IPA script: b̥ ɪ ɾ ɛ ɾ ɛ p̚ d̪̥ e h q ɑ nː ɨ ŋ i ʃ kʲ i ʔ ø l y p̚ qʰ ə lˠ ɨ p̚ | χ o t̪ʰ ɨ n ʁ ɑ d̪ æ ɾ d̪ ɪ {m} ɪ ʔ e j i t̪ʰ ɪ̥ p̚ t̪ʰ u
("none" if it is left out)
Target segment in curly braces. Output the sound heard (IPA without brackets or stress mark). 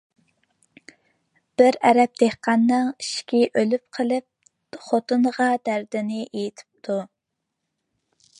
n